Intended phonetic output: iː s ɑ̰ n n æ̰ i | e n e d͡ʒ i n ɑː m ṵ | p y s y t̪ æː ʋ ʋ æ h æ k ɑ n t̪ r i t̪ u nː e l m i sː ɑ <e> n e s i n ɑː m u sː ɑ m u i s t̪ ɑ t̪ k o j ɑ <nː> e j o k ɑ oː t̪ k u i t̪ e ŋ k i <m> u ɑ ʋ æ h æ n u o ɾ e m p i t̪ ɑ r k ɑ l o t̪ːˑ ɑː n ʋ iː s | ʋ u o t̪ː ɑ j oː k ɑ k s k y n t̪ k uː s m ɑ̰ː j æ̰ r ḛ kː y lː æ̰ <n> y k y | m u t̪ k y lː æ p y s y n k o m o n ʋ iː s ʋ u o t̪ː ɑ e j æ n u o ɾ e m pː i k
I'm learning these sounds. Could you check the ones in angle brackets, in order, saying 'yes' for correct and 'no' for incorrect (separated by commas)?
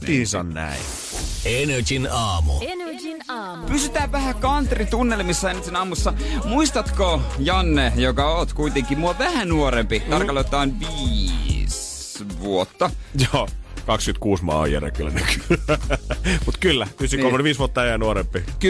yes, yes, yes, yes